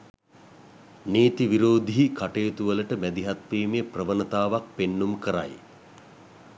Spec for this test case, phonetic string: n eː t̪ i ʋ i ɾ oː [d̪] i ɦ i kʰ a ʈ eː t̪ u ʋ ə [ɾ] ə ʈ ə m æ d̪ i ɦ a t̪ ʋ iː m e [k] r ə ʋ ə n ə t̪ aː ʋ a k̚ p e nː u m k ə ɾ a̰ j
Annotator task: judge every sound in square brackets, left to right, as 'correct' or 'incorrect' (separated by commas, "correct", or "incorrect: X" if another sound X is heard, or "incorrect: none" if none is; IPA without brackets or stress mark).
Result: correct, incorrect: l, incorrect: p